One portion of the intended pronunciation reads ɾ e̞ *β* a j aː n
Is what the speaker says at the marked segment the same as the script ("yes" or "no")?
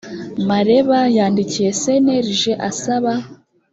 yes